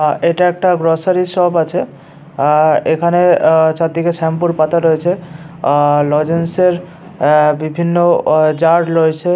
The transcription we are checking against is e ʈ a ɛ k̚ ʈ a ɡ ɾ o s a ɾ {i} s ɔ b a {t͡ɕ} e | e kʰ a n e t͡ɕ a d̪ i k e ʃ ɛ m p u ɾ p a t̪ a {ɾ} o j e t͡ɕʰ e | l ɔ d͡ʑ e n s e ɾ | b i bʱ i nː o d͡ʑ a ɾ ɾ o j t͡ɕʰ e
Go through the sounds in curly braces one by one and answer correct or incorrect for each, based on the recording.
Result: correct, incorrect, correct

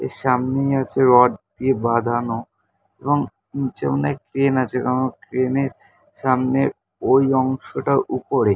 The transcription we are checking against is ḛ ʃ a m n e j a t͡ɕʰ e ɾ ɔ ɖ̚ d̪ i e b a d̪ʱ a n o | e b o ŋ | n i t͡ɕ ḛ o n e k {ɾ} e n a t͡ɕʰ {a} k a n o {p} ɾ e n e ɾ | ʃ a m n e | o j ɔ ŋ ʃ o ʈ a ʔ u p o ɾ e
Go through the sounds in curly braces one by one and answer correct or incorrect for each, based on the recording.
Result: correct, incorrect, incorrect

